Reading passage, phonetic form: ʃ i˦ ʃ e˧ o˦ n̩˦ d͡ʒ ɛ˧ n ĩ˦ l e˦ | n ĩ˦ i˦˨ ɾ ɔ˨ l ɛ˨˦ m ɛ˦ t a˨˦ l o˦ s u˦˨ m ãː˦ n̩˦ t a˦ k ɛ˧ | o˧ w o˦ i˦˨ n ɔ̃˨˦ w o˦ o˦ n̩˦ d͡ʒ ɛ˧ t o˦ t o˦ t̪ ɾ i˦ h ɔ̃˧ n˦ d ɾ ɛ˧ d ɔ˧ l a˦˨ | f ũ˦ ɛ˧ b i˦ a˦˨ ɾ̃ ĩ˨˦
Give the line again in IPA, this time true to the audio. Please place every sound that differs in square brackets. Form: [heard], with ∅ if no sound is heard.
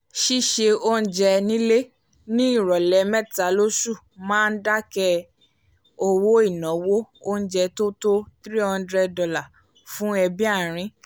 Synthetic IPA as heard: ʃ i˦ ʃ e˧ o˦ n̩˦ d͡ʒ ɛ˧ n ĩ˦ l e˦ | n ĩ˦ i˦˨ ɾ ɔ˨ l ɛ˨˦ m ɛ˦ t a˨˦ l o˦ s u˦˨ m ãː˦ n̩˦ [d] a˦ k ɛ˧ | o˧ w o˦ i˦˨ n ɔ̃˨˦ w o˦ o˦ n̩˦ d͡ʒ ɛ˧ t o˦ t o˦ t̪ ɾ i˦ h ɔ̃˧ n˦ d ɾ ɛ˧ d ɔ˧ l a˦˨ | f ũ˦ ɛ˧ b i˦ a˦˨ ɾ̃ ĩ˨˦